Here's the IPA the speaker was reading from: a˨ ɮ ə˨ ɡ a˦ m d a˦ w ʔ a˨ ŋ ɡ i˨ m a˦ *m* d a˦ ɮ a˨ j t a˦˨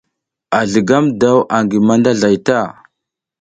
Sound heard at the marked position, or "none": n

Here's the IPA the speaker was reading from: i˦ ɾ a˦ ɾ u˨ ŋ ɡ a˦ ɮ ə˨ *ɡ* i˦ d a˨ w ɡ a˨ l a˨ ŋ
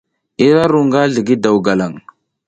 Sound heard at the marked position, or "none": ɡ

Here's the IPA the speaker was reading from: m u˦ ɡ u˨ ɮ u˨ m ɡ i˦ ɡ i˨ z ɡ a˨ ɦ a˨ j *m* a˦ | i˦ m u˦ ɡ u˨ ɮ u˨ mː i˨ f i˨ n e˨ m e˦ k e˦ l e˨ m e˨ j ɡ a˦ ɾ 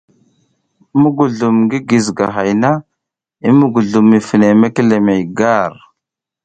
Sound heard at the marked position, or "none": n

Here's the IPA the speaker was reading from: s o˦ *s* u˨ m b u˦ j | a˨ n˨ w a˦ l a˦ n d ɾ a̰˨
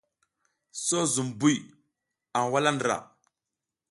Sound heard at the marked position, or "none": z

